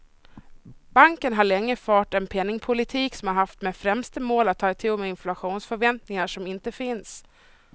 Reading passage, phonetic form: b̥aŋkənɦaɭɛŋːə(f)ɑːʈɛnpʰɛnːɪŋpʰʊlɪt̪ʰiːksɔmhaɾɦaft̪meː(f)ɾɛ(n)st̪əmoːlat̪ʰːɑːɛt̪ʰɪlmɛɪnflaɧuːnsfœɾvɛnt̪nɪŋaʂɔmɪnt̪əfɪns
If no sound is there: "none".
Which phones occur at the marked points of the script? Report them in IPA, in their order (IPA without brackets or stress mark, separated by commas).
f, f, m